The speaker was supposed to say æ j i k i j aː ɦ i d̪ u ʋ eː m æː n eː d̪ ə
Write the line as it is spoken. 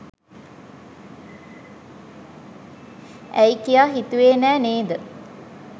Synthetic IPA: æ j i k i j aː ɦ i t̪ u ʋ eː n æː n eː d̪ ə